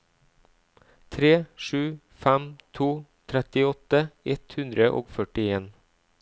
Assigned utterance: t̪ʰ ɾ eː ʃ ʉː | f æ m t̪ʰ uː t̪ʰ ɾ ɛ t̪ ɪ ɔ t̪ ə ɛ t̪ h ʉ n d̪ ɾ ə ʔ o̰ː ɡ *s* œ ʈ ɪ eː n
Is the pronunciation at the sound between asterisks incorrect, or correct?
incorrect: f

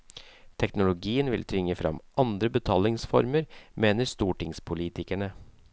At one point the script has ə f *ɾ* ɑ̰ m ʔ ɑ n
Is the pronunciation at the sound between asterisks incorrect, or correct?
correct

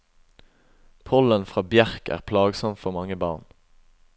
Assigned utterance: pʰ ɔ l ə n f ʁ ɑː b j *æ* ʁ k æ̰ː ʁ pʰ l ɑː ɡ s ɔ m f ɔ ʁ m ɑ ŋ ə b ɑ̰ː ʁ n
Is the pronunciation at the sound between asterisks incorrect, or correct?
correct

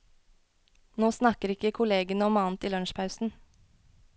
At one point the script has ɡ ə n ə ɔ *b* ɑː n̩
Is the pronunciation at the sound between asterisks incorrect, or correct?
incorrect: m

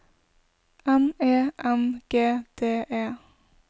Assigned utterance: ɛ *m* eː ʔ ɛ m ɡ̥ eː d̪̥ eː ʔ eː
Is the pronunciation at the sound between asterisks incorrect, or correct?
correct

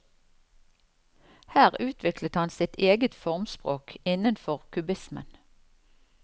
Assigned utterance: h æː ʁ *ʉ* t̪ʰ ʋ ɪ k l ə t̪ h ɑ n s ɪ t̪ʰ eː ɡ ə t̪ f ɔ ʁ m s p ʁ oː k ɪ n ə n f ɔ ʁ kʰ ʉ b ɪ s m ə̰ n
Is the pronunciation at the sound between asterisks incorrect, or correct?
incorrect: ʉː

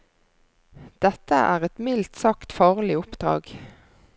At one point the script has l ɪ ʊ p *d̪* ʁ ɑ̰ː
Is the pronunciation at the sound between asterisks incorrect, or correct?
correct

